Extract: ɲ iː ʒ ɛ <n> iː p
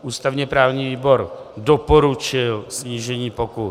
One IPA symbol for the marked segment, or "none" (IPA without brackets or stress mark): ɲ